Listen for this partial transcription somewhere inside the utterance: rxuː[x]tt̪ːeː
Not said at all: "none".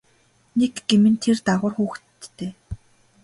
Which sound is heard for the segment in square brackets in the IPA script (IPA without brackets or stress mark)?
x